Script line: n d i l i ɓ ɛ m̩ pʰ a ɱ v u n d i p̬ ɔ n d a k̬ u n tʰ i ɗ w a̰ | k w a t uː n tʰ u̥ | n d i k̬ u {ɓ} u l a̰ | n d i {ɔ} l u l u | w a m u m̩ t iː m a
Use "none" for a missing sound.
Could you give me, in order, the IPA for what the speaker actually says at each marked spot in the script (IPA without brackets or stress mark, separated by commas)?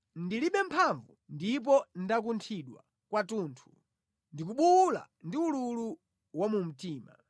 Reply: ɓ, u